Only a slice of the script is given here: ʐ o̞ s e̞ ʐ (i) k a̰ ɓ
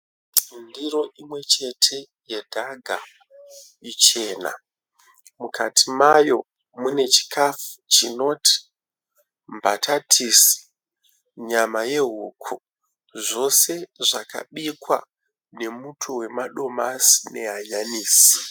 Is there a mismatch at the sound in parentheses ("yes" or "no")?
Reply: yes